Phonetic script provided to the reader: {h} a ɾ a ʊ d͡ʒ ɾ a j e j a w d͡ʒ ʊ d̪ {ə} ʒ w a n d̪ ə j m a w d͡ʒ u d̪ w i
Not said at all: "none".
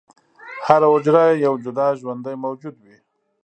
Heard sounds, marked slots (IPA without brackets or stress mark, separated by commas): h, ɑ